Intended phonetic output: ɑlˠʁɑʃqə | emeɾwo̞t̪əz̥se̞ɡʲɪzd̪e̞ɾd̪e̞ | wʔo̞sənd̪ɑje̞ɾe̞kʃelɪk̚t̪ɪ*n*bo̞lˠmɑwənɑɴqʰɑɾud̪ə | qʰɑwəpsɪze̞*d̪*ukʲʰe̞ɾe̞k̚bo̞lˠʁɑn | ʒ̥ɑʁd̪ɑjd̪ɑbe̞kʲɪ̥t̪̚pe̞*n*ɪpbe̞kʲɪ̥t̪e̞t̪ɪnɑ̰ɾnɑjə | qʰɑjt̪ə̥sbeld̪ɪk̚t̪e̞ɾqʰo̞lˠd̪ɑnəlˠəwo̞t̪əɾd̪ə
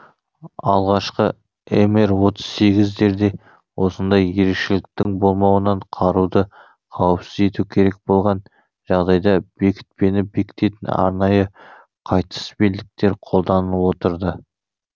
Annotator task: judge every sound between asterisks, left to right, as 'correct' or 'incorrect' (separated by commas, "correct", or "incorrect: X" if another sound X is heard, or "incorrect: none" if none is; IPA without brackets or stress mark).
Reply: incorrect: ŋ, incorrect: t̪, correct